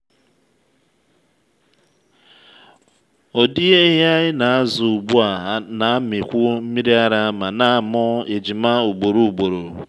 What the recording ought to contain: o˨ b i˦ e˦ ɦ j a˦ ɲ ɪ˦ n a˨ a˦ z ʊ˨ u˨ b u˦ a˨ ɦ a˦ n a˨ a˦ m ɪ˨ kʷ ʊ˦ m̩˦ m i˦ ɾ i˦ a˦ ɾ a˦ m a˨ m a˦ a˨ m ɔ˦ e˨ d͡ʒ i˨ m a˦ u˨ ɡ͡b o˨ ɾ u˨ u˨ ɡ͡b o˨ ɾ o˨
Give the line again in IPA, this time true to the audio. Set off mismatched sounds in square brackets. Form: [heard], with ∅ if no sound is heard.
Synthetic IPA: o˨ [d] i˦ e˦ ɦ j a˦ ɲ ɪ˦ n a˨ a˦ z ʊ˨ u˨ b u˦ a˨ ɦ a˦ n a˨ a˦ m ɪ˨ kʷ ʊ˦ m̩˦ m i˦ ɾ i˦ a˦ ɾ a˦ m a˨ [n] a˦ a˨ m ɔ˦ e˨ d͡ʒ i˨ m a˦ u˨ ɡ͡b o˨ ɾ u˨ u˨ ɡ͡b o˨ ɾ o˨